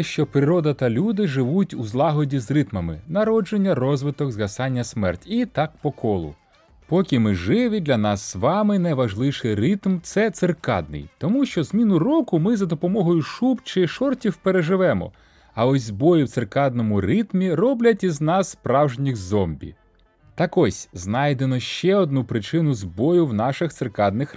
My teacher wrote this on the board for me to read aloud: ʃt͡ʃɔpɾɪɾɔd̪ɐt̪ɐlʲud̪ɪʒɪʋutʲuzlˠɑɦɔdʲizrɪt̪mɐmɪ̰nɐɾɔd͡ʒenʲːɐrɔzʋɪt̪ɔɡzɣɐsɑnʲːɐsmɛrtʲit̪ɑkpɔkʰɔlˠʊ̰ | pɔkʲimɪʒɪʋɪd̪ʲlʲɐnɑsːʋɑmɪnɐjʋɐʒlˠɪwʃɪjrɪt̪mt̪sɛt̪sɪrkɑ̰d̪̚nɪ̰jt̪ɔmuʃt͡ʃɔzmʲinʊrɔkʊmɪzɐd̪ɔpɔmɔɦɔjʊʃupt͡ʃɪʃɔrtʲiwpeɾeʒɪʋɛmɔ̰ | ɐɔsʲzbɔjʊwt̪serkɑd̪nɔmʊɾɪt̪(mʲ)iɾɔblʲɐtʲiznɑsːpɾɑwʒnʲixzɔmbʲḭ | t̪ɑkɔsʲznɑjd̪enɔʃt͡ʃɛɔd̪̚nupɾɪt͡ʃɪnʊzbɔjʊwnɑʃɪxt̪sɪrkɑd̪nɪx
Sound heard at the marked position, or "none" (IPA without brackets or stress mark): mʲ